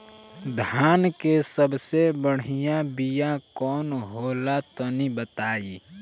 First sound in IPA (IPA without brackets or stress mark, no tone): d̪ʱ